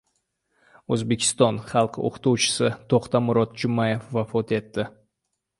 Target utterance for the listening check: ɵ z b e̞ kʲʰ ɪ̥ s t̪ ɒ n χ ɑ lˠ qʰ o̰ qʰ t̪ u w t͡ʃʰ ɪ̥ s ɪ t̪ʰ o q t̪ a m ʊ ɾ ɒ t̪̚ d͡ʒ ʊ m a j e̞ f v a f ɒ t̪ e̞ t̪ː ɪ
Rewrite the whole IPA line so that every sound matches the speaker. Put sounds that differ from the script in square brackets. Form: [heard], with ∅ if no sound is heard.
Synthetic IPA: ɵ z b e̞ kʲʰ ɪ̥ s t̪ ɒ n χ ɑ lˠ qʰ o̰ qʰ t̪ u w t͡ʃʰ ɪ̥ s ɪ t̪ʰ o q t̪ a m ʊ ɾ ɒ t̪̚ d͡ʒ ʊ m a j e̞ f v a f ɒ t̪ e̞ t̪ː ɪ